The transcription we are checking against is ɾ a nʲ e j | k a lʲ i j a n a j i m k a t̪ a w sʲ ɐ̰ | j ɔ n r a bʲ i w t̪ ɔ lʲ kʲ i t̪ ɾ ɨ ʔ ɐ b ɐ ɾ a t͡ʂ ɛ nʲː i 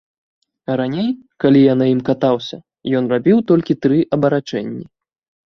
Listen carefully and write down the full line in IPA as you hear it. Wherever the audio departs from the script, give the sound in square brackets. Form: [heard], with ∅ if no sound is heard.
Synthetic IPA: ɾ a nʲ e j | k a lʲ i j a n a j i m k a t̪ a w sʲ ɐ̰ | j ɔ n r a bʲ i w t̪ ɔ lʲ kʲ i t̪ ɾ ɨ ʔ ɐ b ɐ ɾ a t͡ʂ ɛ nʲː i